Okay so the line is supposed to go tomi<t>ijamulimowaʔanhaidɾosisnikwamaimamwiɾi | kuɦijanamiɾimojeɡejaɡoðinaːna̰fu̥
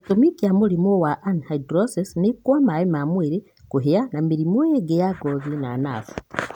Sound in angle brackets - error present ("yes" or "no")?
yes